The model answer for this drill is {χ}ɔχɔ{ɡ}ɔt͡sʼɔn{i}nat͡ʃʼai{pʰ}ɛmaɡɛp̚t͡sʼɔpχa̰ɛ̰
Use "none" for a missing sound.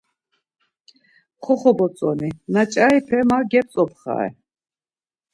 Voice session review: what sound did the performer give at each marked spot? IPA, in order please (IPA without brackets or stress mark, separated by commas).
χ, b, i, pʰ